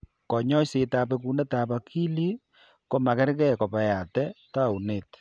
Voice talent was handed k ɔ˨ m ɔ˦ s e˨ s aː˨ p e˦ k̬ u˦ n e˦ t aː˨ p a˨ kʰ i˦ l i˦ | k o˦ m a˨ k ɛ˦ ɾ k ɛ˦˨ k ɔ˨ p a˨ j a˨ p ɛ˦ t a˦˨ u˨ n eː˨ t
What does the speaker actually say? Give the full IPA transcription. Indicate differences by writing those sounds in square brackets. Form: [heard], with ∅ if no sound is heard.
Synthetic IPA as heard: k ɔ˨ [ɲ] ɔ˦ s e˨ [t] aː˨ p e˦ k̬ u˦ n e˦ t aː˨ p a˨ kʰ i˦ l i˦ | k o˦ m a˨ k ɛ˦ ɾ k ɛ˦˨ k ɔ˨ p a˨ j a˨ [t] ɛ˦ t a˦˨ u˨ n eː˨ t